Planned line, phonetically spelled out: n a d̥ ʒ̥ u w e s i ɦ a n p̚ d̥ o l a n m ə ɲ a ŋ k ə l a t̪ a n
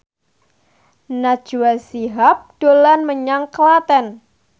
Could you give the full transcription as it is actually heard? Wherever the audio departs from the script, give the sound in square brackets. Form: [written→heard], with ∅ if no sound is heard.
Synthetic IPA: n a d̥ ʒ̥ u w [e→a] s i ɦ a [n→∅] p̚ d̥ o l a n m ə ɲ a ŋ k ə l a t̪ [a→ɛ] n